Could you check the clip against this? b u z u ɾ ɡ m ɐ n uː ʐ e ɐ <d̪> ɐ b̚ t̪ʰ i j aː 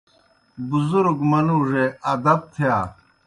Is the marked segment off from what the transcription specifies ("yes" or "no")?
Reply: no